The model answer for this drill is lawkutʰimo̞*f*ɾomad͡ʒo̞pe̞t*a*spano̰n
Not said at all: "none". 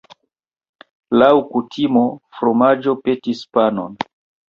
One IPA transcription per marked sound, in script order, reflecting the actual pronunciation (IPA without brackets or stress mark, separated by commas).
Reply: f, i